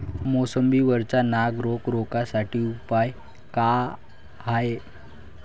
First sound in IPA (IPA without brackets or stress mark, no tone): m